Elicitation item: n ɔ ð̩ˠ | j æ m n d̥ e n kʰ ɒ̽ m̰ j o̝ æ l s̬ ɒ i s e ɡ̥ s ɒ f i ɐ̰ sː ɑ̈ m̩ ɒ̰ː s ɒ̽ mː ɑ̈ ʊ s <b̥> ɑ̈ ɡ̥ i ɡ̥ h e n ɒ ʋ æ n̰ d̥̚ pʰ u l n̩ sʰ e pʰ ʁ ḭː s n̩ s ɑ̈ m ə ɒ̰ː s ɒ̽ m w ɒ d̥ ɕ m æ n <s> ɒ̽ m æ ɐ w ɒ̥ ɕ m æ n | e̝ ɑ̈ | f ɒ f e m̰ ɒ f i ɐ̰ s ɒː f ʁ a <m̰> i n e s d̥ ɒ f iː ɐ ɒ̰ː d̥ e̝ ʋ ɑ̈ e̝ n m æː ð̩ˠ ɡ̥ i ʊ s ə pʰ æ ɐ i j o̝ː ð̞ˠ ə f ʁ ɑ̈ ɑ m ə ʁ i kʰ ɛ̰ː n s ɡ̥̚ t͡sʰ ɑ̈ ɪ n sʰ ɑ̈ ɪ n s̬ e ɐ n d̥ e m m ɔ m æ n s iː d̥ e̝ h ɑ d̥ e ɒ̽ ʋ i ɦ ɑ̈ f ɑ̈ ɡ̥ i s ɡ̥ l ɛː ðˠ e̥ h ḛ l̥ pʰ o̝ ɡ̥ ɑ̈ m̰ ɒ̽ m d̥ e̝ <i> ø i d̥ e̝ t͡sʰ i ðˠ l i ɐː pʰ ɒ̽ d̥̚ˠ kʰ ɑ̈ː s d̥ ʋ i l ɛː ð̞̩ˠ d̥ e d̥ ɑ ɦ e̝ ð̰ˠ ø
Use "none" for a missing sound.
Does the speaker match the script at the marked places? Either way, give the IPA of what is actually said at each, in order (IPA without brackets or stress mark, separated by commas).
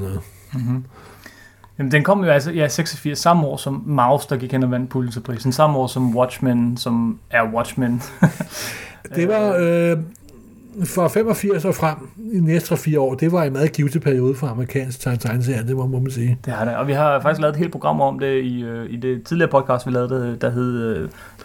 d̥, s, m̰, i